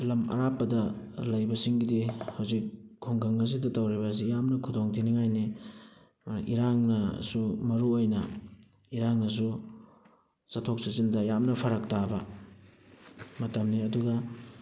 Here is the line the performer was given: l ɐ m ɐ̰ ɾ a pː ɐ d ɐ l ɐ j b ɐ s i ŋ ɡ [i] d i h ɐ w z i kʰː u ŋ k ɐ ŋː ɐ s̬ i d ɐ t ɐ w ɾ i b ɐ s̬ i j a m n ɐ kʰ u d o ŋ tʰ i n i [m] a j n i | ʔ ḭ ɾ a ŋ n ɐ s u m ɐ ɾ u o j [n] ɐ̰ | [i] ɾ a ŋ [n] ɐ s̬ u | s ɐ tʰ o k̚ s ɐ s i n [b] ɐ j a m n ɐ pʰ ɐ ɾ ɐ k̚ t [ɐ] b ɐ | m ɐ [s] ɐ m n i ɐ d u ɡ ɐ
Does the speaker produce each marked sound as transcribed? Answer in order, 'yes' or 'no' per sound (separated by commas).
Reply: yes, no, yes, yes, yes, no, no, no